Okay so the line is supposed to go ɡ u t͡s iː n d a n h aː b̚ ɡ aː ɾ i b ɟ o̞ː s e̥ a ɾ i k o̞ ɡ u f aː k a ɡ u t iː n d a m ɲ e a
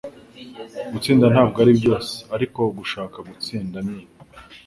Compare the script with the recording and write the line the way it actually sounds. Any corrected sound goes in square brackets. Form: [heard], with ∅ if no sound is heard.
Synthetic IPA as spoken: ɡ u t͡s iː n d a n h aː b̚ ɡ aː ɾ i b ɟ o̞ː s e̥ a ɾ i k o̞ ɡ u [ʃ] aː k a ɡ u [t͡s] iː n d a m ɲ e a